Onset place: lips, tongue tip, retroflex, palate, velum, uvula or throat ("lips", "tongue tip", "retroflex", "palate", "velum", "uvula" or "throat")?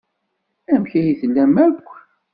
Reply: lips